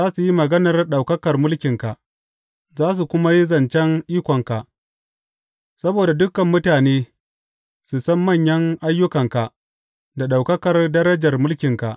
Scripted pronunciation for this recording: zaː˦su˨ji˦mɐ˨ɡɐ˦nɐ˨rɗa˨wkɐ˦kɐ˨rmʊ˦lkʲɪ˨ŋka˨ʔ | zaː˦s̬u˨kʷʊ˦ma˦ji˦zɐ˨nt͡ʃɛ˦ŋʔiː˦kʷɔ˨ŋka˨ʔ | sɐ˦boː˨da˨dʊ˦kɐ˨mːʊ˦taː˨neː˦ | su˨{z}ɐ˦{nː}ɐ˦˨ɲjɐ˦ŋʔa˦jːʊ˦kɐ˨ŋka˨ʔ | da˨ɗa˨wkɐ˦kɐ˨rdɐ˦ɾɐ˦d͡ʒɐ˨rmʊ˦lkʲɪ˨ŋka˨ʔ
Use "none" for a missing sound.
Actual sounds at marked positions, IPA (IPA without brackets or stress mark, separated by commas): s, mː